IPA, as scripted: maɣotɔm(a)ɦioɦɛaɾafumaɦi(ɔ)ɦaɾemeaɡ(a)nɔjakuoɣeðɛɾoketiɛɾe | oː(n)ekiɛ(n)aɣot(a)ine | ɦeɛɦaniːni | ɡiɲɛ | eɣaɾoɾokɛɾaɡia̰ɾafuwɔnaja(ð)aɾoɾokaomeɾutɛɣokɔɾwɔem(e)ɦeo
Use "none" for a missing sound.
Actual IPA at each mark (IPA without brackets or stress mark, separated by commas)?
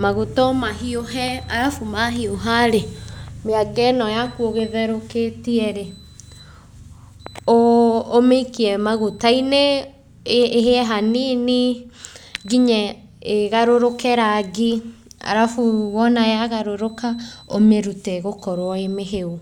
a, o, ɛ, m, m, a, ɣ, e